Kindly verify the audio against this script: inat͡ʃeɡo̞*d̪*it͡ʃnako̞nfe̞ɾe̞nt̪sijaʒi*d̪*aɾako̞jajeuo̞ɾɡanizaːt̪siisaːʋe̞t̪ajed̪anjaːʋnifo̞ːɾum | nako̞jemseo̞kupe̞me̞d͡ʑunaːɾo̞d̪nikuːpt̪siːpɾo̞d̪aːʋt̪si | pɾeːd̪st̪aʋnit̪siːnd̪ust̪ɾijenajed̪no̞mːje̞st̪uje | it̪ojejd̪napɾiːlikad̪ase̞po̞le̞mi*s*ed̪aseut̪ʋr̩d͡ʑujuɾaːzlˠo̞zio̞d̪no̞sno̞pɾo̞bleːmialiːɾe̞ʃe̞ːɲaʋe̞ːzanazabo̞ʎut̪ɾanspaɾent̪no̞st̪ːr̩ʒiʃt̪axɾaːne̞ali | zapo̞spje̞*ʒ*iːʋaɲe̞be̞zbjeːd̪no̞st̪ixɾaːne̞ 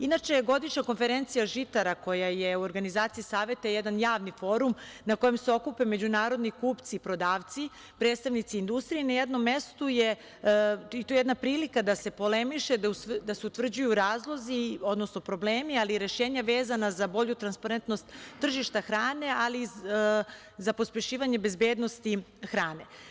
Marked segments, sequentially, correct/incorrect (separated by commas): correct, incorrect, incorrect, incorrect